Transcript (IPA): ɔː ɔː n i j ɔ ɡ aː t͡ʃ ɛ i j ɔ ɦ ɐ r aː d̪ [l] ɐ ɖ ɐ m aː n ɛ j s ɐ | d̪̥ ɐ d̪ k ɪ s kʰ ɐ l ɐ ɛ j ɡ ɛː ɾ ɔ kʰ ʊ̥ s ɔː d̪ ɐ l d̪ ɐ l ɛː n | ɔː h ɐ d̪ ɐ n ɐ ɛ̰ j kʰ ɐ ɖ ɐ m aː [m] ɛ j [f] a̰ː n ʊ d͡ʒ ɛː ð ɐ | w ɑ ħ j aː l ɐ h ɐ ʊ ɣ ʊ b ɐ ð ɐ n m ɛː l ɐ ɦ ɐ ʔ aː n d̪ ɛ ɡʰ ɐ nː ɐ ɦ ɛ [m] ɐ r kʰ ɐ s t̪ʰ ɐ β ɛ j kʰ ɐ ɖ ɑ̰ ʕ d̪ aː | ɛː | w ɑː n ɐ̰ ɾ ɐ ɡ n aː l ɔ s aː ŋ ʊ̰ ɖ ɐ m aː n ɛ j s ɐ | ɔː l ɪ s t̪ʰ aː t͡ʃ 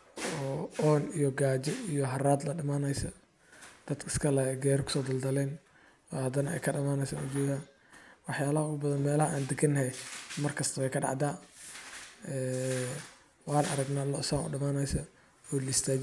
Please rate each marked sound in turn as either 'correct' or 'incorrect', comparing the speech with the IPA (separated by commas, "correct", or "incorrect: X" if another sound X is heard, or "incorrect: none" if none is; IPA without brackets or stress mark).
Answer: correct, incorrect: n, incorrect: s, correct